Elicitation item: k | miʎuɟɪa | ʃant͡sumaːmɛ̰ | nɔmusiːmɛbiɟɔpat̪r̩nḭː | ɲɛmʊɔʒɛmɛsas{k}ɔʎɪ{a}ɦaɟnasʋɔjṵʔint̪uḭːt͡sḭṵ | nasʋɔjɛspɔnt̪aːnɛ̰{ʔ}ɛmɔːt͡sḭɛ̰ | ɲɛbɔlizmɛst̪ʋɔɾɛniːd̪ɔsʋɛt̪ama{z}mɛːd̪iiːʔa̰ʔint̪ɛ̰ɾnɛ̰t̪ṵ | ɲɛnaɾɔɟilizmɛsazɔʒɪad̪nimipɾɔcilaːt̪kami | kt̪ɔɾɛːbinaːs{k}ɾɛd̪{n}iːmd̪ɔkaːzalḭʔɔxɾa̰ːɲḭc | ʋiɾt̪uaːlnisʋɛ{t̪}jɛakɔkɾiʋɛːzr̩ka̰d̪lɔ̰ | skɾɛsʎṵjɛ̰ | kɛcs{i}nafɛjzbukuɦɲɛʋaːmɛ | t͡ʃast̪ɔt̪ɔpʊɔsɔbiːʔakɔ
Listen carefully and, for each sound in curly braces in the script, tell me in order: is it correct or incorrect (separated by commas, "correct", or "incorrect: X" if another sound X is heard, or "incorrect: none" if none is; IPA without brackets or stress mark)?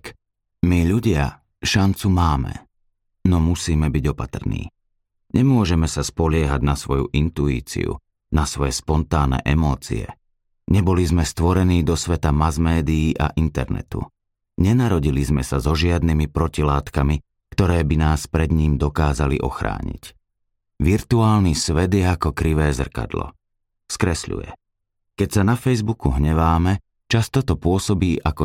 incorrect: p, incorrect: ɛ, correct, correct, incorrect: p, incorrect: ɲ, incorrect: d̪, incorrect: a